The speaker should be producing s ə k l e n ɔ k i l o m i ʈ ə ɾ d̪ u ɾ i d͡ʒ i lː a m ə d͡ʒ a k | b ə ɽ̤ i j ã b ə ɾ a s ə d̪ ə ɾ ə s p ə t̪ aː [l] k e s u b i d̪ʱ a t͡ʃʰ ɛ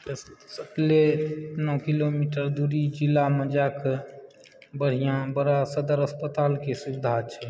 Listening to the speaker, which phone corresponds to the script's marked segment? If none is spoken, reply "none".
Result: l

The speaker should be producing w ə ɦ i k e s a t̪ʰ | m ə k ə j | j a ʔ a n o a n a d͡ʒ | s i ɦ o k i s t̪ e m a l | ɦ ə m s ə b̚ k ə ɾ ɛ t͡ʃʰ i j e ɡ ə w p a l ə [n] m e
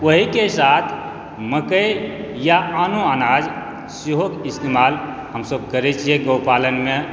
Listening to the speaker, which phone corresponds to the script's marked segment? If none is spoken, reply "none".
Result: n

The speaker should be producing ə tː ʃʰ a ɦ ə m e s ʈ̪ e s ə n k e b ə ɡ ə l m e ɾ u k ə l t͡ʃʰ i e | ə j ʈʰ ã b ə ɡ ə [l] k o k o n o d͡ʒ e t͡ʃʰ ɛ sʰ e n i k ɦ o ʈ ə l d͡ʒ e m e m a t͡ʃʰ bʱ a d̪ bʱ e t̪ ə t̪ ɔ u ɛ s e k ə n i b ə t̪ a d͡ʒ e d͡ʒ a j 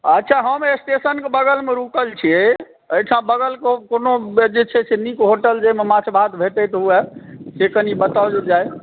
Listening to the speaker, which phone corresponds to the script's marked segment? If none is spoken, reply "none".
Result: l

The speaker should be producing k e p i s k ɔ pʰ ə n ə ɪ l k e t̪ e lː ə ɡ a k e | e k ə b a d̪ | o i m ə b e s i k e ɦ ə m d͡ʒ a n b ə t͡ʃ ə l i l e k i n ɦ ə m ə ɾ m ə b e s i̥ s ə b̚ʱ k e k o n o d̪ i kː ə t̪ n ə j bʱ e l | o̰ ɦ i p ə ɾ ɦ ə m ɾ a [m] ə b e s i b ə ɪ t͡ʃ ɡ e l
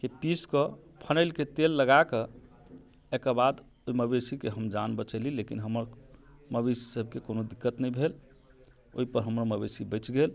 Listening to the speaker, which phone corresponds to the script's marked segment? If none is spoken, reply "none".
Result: m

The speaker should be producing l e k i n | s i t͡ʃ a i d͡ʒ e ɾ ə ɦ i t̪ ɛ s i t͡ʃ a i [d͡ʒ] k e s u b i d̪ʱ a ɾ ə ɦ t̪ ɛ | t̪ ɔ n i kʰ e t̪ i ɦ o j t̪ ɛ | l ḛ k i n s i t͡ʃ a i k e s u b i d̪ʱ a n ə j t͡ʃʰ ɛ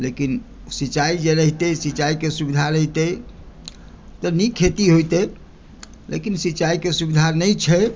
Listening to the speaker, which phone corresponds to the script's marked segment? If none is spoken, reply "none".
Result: none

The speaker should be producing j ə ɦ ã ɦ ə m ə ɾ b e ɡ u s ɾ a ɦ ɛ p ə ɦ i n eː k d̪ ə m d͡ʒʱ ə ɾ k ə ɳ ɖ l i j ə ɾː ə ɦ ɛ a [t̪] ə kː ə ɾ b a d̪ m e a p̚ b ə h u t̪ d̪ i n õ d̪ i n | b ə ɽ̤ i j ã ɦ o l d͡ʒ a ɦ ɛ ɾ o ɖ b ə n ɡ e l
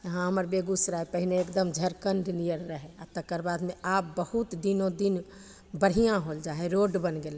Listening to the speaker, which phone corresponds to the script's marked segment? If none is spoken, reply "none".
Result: t̪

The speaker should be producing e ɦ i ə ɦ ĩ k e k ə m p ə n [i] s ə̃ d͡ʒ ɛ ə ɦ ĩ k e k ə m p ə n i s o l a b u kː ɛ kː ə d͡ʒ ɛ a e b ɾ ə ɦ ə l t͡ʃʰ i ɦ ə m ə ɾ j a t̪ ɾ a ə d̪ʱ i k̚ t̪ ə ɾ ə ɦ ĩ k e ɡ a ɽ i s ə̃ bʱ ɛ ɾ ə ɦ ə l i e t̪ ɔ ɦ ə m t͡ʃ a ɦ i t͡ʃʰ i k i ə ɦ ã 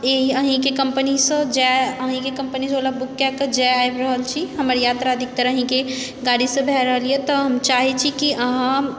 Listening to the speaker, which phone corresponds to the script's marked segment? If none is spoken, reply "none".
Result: i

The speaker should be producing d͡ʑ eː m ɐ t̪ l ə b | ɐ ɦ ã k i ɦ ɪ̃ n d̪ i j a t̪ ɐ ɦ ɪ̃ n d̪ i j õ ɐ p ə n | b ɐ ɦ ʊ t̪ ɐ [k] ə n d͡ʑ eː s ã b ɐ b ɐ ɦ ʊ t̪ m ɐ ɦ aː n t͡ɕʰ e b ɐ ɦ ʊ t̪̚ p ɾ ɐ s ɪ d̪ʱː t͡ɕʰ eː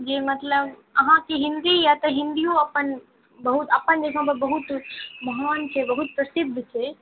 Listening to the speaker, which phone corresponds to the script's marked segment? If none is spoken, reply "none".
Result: p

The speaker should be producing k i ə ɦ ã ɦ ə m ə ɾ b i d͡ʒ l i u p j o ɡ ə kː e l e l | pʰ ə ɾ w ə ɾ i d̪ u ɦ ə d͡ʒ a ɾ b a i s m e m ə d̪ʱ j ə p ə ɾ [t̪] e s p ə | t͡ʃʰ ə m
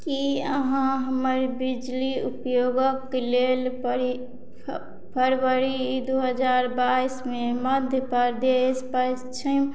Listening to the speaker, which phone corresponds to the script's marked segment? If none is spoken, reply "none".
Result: d̪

